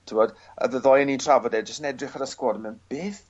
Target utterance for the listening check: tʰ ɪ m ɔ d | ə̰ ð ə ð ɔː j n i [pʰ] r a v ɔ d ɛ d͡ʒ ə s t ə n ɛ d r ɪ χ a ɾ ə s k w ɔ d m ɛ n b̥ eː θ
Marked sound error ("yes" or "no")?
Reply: yes